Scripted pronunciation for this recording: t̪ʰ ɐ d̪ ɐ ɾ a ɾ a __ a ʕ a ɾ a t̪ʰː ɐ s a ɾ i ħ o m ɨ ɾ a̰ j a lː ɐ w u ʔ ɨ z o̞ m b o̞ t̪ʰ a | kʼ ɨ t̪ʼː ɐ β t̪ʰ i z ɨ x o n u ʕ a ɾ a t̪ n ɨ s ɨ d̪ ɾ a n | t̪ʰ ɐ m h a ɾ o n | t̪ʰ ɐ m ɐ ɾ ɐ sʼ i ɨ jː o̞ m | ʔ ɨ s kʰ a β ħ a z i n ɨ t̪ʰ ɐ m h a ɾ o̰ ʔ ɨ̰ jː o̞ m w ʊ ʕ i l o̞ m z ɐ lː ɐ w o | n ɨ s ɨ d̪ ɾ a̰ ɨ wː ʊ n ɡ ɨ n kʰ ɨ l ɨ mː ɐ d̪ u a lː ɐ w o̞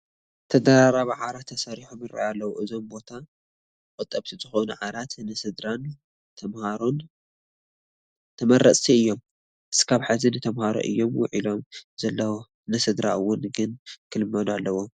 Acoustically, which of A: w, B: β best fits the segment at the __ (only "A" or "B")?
B